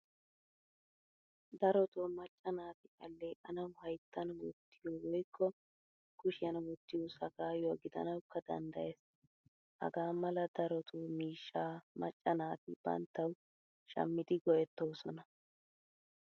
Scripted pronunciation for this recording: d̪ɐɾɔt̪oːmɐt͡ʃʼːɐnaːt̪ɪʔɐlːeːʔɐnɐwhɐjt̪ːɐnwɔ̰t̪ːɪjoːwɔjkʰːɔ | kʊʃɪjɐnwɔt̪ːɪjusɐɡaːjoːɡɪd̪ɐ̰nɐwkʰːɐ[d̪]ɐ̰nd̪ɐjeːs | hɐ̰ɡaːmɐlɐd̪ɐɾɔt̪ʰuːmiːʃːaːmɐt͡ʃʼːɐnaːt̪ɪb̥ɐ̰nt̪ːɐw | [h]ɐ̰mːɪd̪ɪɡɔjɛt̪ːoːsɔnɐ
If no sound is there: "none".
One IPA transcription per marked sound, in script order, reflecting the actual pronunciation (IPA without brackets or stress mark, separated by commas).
d̪, ʃ